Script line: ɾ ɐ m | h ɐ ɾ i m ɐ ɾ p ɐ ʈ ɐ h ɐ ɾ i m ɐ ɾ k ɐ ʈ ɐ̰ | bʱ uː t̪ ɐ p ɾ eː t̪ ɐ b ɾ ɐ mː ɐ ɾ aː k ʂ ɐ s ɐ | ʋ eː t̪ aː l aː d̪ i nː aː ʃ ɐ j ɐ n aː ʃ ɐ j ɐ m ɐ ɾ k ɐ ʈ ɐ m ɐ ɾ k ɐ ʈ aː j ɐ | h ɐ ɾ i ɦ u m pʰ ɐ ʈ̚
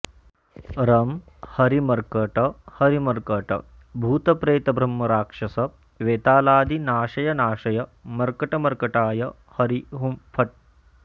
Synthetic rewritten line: ɾ ɐ m | h ɐ ɾ i m ɐ ɾ k ɐ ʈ ɐ h ɐ ɾ i m ɐ ɾ k ɐ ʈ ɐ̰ | bʱ uː t̪ ɐ p ɾ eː t̪ ɐ b ɾ ɐ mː ɐ ɾ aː k ʂ ɐ s ɐ | ʋ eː t̪ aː l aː d̪ i n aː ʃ ɐ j ɐ n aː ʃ ɐ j ɐ m ɐ ɾ k ɐ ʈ ɐ m ɐ ɾ k ɐ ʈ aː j ɐ | h ɐ ɾ i ɦ u m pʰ ɐ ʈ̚